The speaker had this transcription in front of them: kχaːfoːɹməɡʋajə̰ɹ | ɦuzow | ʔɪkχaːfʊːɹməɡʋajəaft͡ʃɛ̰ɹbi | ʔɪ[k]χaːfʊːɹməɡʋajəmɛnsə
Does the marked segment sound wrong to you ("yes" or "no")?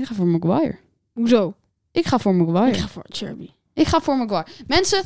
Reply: no